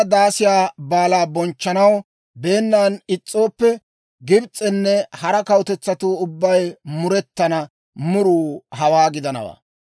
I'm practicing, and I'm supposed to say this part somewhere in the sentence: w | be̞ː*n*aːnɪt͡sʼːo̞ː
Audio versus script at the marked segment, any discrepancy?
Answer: yes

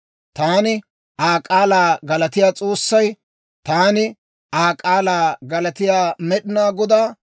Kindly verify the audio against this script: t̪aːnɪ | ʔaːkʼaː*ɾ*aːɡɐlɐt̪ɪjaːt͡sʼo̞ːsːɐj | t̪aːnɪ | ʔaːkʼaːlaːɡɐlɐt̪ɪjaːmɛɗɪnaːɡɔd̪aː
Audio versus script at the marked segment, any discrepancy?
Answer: yes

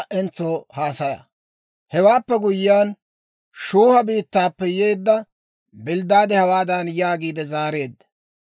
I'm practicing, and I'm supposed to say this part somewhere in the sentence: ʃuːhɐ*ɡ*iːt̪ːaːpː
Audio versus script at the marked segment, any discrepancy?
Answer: yes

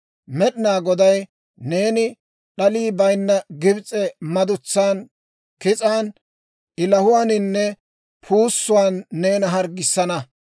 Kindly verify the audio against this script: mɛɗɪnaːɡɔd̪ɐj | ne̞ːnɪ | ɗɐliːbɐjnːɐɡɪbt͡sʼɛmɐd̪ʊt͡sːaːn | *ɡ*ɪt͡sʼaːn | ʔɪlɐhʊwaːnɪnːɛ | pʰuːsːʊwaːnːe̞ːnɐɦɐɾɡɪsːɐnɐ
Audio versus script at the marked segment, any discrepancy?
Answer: yes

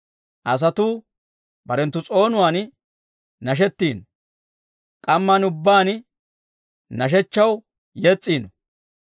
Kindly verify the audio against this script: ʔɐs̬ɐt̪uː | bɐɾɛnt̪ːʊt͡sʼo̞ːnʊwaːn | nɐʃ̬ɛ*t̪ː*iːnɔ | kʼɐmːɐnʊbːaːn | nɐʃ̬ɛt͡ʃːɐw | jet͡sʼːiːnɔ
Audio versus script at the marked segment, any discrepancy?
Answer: no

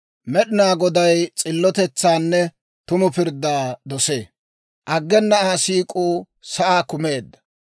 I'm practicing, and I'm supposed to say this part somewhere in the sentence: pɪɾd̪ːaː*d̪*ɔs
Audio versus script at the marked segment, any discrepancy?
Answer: no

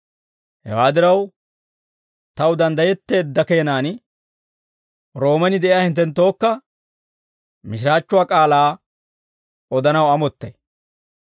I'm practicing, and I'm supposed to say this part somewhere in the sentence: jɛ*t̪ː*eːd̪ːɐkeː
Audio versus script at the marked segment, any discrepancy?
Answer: no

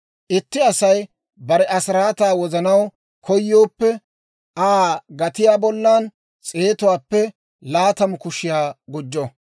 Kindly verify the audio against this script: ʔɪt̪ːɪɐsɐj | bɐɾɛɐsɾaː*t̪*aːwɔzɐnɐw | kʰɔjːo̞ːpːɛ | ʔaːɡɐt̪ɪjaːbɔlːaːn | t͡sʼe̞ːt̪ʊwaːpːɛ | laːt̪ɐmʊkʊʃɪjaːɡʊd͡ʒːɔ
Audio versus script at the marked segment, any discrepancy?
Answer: no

